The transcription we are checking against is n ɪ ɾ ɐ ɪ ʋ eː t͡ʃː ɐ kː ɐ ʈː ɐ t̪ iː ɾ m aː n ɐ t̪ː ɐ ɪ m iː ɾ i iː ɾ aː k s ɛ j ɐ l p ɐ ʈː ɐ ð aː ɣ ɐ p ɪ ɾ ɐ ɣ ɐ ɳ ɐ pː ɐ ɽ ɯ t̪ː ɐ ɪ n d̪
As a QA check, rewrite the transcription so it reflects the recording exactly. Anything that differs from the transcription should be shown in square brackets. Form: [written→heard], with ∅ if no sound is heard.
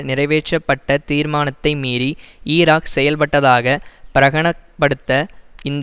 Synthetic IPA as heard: n ɪ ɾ ɐ ɪ ʋ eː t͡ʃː ɐ [kː→pː] ɐ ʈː ɐ t̪ iː ɾ m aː n ɐ t̪ː ɐ ɪ m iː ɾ i iː ɾ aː k s ɛ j ɐ l p ɐ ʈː ɐ ð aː ɣ ɐ p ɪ ɾ ɐ ɣ ɐ ɳ ɐ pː ɐ ɽ ɯ t̪ː ɐ ɪ n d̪